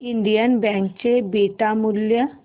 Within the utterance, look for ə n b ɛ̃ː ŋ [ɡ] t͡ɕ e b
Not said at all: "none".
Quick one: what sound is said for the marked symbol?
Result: k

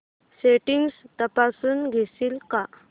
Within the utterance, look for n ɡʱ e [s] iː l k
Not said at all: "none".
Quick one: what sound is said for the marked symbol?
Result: s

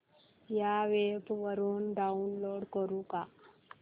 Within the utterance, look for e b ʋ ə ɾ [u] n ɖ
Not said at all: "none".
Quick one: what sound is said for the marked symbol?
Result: uː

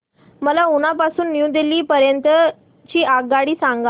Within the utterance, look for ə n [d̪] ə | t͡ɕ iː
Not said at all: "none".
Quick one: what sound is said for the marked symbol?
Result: t̪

